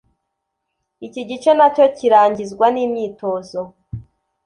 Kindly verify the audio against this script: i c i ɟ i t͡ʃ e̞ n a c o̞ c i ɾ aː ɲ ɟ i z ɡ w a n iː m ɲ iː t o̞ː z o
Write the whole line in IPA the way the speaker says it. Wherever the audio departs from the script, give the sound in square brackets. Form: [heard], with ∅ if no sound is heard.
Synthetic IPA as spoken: i c i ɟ i t͡ʃ e̞ n a c o̞ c i ɾ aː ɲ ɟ i z ɡ w a n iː m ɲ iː t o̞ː z o

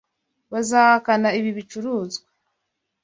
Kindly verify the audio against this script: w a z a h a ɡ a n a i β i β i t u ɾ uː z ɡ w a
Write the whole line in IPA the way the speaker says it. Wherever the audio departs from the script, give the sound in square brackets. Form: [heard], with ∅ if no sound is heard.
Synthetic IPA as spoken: [β] a z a h a [k] a n a i β i β i [t͡ʃ] u ɾ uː z ɡ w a

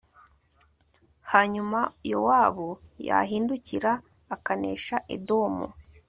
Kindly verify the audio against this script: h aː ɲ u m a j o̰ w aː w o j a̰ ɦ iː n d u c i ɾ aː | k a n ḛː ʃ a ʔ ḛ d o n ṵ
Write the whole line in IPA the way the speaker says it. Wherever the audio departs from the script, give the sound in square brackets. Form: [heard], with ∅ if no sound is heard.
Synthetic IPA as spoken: h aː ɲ u m a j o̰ w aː [β] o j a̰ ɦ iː n d u c i ɾ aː | k a n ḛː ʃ a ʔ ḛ d o [m] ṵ

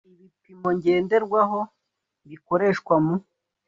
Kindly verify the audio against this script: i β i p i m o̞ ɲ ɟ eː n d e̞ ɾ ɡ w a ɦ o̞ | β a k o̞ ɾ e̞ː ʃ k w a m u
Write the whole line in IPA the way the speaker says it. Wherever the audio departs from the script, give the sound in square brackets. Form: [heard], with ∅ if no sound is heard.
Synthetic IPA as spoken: i β i p i m o̞ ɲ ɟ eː n d e̞ ɾ ɡ w a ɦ o̞ | β [i] k o̞ ɾ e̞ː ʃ k w a m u

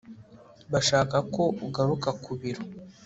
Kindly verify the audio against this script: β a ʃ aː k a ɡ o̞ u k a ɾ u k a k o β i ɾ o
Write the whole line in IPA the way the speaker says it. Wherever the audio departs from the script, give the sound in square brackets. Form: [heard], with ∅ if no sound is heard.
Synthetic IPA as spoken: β a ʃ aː k a [k] o̞ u [ɡ] a ɾ u k a k [u] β i ɾ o

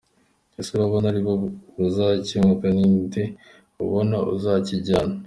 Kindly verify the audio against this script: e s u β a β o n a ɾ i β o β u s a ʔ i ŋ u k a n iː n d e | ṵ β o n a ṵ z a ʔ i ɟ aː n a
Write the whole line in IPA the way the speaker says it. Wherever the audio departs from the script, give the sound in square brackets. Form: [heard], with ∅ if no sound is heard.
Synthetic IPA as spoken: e s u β a β o n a ɾ i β o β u [z] a [c] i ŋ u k a n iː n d e | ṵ β o n a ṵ z a [c] i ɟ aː n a

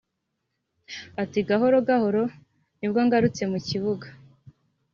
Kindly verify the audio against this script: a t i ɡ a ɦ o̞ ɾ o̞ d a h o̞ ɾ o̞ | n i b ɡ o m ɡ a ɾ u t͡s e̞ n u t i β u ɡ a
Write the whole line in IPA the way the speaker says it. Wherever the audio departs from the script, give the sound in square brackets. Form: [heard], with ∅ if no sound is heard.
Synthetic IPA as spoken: a t i ɡ a ɦ o̞ ɾ o̞ [ɡ] a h o̞ ɾ o̞ | n i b ɡ o [ŋ] ɡ a ɾ u t͡s e̞ [m] u [c] i β u ɡ a

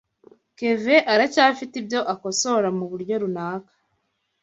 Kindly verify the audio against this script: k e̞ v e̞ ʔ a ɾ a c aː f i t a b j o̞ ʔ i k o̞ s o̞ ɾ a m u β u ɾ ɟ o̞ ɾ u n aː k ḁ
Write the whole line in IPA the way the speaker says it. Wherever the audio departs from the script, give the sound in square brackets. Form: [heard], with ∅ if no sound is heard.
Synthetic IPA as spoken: k e̞ v e̞ ʔ a ɾ a c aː f i t [i] b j o̞ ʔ [a] k o̞ s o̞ ɾ a m u β u ɾ ɟ o̞ ɾ u n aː k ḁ

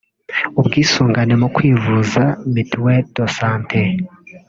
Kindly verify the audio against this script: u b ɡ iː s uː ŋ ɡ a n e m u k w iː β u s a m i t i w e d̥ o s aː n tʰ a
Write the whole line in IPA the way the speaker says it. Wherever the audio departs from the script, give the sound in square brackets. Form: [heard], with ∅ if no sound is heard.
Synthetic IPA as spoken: u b ɡ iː s uː ŋ ɡ a n e m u k w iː [v] u [z] a m i t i w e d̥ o s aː n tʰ [e]

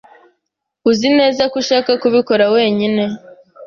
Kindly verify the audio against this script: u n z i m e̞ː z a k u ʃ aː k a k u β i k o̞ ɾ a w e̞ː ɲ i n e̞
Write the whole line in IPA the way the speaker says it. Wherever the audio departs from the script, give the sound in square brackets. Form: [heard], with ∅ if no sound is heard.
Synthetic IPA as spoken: u [∅] z i [n] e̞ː z a k u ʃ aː k a k u β i k o̞ ɾ a w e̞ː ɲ i n e̞

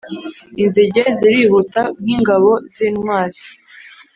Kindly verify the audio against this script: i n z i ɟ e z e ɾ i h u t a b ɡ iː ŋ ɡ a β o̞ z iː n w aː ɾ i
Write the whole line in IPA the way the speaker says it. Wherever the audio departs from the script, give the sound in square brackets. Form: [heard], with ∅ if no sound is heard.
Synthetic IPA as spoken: i n z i ɟ e z [i] ɾ i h u t a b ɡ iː ŋ ɡ a β o̞ z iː n w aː ɾ i

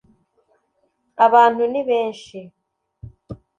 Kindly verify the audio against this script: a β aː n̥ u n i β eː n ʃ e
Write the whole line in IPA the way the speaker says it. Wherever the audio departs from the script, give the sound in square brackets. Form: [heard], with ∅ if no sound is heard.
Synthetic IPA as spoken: a β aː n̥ u n i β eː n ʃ [i]

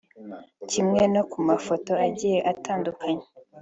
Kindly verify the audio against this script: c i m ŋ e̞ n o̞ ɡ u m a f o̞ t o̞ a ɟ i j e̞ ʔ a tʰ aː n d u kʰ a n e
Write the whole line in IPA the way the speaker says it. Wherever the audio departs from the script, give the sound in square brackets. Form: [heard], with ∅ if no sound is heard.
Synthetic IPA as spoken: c i m ŋ e̞ n o̞ [k] u m a f o̞ t o̞ a ɟ i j e̞ ʔ a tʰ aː n d u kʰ a [ɲ] e

